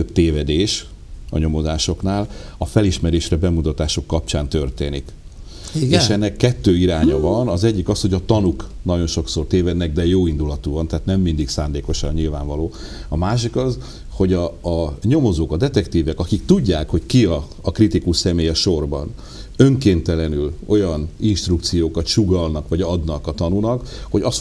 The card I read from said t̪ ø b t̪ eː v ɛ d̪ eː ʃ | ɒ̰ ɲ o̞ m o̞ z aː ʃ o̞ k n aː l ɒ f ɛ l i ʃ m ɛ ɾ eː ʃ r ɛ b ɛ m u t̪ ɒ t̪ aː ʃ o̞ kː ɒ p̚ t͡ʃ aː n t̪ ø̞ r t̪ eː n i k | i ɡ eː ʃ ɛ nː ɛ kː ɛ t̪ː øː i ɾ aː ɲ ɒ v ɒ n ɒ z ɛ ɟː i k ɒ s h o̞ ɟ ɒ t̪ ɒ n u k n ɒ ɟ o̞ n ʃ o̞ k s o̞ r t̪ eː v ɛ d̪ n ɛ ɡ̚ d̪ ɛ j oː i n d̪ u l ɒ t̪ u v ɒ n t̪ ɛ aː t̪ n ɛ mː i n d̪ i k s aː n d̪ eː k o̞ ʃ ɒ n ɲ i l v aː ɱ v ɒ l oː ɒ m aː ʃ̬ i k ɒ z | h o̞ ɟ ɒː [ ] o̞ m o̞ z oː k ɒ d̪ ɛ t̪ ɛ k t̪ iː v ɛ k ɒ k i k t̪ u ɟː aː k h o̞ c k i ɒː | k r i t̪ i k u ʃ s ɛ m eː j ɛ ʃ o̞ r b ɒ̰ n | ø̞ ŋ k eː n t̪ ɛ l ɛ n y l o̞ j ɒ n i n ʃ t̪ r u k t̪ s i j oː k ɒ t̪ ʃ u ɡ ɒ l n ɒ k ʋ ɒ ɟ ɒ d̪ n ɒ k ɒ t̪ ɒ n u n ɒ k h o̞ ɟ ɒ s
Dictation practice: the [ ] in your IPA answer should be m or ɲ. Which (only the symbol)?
ɲ